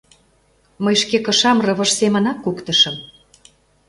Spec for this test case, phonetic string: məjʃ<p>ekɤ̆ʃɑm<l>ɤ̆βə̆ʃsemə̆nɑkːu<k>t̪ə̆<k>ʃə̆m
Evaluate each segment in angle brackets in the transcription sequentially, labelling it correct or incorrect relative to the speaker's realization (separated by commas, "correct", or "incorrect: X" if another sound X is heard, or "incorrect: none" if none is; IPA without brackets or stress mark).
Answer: incorrect: k, incorrect: r, correct, incorrect: none